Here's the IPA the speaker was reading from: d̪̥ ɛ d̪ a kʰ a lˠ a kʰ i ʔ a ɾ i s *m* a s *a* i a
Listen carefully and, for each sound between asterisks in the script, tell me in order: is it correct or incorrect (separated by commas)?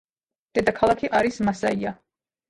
correct, correct